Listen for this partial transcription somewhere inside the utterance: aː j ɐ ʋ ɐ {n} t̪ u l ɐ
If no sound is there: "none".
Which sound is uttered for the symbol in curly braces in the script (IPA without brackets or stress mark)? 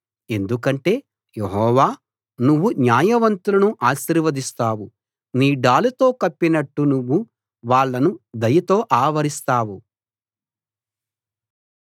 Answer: n